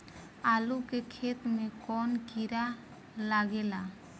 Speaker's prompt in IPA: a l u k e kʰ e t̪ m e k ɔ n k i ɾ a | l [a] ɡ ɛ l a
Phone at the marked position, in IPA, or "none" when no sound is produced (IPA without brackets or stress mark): a